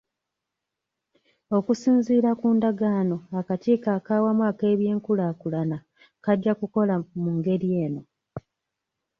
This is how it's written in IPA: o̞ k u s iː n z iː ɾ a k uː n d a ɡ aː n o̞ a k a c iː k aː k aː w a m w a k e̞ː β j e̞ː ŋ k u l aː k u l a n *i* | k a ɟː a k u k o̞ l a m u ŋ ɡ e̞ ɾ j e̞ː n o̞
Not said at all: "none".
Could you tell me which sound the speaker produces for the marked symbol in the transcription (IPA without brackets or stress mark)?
a